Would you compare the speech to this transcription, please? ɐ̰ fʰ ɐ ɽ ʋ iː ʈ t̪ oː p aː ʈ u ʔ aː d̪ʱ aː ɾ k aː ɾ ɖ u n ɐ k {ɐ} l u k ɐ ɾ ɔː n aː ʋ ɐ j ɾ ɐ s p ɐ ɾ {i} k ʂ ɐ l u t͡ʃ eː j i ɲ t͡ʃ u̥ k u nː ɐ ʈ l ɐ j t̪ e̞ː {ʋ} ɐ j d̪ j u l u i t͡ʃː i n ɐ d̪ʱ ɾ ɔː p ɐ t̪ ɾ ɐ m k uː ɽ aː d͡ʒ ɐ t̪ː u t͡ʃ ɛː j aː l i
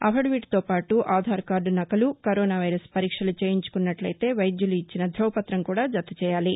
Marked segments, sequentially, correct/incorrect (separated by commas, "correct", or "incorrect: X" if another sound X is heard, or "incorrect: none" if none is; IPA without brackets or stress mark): correct, incorrect: iː, correct